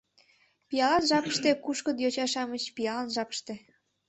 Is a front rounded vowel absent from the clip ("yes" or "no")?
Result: yes